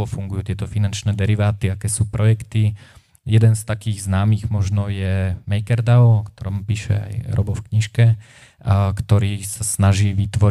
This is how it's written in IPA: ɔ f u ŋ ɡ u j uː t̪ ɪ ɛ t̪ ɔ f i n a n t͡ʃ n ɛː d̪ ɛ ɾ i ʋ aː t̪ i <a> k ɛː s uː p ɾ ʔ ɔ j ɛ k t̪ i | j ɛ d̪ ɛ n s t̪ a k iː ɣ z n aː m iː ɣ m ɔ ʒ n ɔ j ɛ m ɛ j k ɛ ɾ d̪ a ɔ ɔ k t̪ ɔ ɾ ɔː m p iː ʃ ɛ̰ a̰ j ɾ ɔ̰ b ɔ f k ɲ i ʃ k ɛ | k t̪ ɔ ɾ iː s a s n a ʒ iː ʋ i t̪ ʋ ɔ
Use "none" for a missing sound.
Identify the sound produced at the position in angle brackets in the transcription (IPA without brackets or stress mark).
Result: a